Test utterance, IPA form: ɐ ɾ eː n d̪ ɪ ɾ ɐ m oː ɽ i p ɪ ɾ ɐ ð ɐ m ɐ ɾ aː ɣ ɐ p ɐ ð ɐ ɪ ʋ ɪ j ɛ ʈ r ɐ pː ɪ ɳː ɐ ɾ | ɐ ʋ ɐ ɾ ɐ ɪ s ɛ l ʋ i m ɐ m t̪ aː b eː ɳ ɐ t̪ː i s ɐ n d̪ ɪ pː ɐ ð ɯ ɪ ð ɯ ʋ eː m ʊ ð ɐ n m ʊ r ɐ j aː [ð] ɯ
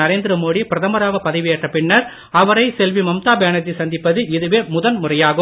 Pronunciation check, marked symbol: incorrect: ɣ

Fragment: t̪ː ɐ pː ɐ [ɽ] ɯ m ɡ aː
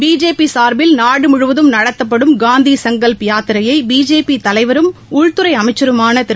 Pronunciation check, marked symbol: correct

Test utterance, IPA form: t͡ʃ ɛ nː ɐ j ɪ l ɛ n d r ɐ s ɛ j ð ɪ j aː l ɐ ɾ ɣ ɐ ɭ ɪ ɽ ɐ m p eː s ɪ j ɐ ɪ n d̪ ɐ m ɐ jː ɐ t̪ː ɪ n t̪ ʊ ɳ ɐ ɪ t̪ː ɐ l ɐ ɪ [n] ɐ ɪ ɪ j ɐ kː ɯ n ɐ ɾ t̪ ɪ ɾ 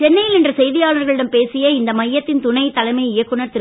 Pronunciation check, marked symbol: incorrect: m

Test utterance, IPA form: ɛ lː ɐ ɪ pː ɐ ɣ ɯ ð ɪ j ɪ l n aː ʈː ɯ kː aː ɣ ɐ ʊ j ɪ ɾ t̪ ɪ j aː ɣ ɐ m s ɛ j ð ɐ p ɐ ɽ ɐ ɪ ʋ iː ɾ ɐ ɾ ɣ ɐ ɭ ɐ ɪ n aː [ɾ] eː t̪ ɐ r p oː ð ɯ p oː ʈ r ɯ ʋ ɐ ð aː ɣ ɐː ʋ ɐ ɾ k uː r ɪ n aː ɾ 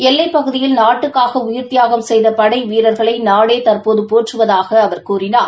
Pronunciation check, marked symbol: incorrect: ɽ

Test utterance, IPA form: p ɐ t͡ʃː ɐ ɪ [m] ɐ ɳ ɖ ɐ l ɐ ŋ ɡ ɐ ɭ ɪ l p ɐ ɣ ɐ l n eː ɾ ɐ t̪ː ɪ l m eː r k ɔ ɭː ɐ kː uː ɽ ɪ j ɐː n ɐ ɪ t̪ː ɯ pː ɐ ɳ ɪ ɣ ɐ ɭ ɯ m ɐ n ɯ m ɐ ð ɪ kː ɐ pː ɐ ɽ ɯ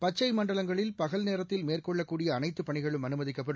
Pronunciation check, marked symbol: correct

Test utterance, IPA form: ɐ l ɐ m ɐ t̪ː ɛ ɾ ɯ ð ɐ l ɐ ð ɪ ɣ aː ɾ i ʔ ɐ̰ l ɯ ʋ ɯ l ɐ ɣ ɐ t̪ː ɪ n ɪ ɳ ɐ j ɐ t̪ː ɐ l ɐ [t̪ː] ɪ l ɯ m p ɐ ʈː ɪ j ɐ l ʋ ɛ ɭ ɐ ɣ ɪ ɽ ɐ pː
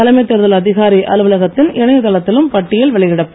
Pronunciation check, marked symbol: correct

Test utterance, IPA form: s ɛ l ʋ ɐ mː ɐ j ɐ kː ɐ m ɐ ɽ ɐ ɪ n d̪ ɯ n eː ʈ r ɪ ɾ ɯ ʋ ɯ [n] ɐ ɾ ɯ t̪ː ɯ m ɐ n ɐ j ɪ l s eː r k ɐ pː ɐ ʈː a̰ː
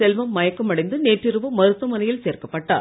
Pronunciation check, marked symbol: incorrect: m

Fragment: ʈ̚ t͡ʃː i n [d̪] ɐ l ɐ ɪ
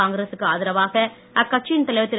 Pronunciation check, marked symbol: incorrect: t̪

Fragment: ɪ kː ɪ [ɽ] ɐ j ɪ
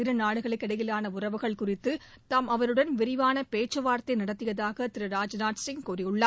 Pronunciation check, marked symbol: correct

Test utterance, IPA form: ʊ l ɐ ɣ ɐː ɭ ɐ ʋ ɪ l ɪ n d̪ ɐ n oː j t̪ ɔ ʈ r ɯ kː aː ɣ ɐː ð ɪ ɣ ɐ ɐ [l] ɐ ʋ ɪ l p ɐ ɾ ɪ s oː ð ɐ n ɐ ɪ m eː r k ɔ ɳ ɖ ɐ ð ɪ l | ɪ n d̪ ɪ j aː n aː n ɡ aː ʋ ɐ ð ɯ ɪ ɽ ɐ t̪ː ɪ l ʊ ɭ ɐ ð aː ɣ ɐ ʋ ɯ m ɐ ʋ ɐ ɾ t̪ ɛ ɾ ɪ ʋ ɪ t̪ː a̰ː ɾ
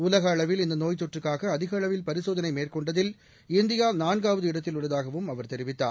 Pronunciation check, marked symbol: incorrect: ɭ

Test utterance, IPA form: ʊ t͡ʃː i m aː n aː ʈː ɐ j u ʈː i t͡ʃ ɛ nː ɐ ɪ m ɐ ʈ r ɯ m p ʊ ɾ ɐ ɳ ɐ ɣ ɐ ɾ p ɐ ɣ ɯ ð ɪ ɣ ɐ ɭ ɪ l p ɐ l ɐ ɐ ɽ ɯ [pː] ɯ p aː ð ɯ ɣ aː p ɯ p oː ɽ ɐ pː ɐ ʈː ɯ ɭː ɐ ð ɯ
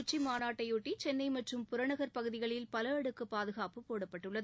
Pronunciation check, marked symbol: incorrect: kː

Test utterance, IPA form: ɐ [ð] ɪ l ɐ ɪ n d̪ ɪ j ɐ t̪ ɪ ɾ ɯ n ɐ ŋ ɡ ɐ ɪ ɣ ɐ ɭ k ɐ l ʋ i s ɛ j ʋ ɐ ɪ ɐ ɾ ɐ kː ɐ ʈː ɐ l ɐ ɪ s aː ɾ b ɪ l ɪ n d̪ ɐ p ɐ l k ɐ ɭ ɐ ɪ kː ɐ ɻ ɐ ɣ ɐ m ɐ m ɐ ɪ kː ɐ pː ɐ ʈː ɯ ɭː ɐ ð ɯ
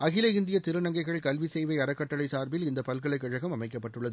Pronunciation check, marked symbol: incorrect: ɣ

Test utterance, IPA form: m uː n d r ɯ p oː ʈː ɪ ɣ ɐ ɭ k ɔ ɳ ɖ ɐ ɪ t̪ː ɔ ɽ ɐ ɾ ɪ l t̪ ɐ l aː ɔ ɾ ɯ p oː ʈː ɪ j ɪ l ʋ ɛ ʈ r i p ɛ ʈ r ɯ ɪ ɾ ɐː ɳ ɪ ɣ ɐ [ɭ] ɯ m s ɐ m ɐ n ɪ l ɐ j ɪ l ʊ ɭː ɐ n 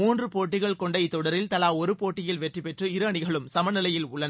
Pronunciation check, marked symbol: correct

